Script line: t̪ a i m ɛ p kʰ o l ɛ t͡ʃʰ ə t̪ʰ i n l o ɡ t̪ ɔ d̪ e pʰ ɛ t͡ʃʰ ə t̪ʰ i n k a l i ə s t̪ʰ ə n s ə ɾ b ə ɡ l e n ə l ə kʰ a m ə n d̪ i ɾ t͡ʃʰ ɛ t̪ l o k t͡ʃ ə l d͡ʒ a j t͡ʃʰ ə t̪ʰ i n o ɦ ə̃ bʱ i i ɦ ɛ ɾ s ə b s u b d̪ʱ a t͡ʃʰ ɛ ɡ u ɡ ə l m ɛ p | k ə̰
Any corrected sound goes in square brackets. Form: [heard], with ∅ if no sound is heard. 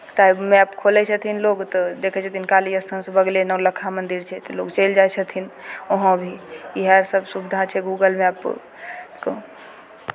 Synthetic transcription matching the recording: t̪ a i m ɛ p kʰ o l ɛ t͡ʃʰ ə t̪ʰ i n l o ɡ t̪ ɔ d̪ e [kʰ] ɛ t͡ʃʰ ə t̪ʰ i n k a l i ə s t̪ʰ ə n s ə [∅] b ə ɡ l e n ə l ə kʰ a m ə n d̪ i ɾ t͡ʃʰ ɛ t̪ l o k t͡ʃ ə l d͡ʒ a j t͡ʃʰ ə t̪ʰ i n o ɦ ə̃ bʱ i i ɦ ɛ ɾ s ə b s u b d̪ʱ a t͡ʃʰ ɛ ɡ u ɡ ə l m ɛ p | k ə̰